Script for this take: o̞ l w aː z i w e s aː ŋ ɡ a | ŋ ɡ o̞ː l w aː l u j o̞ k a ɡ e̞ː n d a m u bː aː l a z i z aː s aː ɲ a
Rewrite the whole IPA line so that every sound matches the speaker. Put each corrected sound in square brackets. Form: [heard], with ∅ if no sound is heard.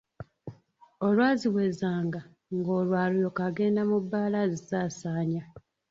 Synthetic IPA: o̞ l w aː z i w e [z] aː ŋ ɡ a | ŋ ɡ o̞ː l w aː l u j o̞ k a ɡ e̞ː n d a m u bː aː l a z i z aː s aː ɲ a